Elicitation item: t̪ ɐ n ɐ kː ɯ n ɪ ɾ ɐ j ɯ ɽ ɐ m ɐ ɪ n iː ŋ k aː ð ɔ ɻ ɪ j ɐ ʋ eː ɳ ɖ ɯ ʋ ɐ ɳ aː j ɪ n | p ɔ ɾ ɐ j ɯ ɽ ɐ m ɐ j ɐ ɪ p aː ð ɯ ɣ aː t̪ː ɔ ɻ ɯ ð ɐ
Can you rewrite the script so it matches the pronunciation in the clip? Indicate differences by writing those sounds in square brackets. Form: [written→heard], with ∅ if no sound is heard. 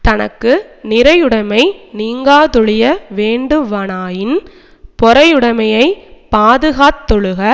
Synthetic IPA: t̪ ɐ n ɐ kː ɯ n ɪ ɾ ɐ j ɯ ɽ ɐ m ɐ ɪ n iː ŋ [k→ɡ] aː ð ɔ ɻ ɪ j ɐ ʋ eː ɳ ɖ ɯ ʋ ɐ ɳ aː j ɪ n | p ɔ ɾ ɐ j ɯ ɽ ɐ m ɐ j ɐ ɪ p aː ð ɯ ɣ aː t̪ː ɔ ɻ ɯ [ð→ɣ] ɐ